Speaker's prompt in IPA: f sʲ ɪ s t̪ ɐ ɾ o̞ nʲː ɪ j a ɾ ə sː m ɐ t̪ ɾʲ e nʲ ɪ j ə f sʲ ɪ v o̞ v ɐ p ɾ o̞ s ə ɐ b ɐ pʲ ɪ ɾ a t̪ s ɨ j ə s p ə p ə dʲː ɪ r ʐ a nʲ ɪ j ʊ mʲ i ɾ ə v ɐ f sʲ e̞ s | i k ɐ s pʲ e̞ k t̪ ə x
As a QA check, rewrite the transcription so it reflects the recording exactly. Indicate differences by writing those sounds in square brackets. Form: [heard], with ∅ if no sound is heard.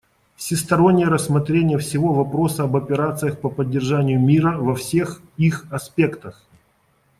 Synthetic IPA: f sʲ ɪ s t̪ ɐ ɾ o̞ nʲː ɪ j [ə] ɾ ə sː m ɐ t̪ ɾʲ e nʲ ɪ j ə f sʲ ɪ v o̞ v ɐ p ɾ o̞ s ə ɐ b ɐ pʲ ɪ ɾ a t̪ s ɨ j ə [x] p ə p ə dʲː ɪ r ʐ a nʲ ɪ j ʊ mʲ i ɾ ə v ɐ f sʲ e̞ [x] | i [x] ɐ s pʲ e̞ k t̪ ə x